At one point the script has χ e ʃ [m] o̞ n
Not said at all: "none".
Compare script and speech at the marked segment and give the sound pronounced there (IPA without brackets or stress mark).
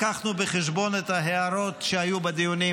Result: b